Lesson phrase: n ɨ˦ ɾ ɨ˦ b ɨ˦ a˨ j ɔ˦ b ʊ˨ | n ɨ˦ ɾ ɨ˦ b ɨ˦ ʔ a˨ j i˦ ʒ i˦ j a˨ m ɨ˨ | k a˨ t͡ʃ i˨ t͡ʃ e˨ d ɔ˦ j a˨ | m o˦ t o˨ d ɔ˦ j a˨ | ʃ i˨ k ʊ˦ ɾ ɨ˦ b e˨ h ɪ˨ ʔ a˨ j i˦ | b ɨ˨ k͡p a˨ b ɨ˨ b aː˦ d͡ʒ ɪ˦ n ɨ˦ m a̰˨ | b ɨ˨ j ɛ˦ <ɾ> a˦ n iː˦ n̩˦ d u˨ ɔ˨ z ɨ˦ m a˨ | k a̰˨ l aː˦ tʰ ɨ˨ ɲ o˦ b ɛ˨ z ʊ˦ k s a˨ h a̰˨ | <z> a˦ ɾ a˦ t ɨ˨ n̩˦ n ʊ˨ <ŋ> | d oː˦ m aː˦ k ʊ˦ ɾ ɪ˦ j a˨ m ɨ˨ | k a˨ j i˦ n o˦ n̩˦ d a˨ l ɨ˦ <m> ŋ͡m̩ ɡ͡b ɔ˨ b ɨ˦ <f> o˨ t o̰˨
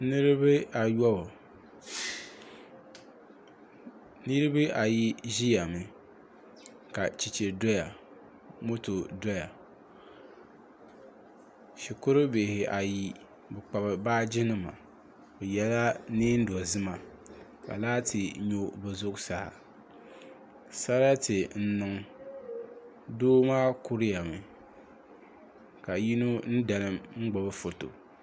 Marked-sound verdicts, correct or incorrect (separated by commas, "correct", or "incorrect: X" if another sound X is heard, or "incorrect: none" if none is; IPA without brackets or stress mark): incorrect: l, incorrect: s, correct, correct, correct